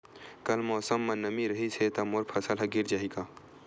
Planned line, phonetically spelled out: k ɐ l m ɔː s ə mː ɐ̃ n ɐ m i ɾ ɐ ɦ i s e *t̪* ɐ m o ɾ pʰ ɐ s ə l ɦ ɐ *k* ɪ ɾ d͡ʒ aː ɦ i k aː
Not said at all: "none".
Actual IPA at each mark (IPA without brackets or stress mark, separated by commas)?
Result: t̪, ɡ